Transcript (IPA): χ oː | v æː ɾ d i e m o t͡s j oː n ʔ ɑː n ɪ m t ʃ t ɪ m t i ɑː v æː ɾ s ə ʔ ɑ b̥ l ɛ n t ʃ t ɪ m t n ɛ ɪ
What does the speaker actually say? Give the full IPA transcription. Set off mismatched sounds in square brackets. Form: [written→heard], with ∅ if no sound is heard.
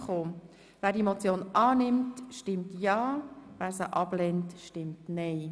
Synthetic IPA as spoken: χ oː | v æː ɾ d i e m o t͡s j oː n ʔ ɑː n ɪ m t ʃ t ɪ m t [i→j] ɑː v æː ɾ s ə ʔ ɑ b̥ l ɛ n t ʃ t ɪ m t n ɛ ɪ

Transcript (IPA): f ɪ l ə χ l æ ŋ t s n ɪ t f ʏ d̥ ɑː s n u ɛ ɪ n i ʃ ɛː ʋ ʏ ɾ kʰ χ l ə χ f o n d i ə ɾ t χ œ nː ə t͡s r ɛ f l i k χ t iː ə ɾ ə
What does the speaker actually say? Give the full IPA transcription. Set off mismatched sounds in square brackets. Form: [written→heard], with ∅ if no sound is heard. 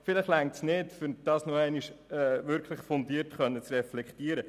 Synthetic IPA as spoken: f ɪ l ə χ l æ ŋ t s n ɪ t f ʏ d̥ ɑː s n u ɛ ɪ n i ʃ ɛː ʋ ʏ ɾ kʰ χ l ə χ f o n d i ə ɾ t χ œ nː ə t͡s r ɛ f l [i→ɛ] k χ t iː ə ɾ ə

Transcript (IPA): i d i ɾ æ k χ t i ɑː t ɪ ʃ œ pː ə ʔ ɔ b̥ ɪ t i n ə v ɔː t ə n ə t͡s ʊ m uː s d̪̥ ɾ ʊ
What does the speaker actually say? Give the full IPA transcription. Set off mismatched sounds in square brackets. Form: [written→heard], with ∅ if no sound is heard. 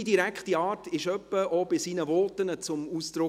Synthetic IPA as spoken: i d i ɾ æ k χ t i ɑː t ɪ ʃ œ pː ə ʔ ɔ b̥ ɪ [t→s] i n ə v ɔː t ə n ə t͡s ʊ m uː s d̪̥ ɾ ʊ

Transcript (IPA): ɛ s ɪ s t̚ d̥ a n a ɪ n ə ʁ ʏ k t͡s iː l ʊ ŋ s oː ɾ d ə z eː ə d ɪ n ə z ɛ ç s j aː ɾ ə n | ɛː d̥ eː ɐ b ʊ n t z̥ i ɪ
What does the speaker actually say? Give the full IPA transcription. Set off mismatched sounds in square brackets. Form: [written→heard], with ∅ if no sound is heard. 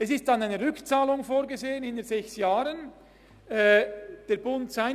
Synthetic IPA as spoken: ɛ s ɪ s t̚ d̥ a n a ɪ n ə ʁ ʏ k t͡s [iː→aː] l ʊ ŋ [s→f] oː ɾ [d→ɡ] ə z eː ə [d→n] ɪ n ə z ɛ ç s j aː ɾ ə n | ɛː d̥ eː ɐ b ʊ n t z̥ [i→a] ɪ

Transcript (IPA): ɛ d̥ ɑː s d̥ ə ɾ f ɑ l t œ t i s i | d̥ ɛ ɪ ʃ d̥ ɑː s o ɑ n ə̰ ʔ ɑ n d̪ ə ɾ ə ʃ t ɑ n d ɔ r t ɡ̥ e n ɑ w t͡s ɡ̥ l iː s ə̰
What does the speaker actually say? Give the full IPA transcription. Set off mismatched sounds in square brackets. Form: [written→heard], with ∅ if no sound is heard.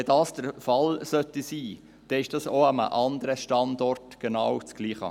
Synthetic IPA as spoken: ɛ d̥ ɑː s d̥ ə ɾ f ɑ l [t→s] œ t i s [i→iː] | d̥ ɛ ɪ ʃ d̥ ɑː s o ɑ [n→m] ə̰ ʔ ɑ n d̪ ə ɾ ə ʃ t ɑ n d ɔ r t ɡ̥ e n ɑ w t͡s ɡ̥ l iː [s→χ] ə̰

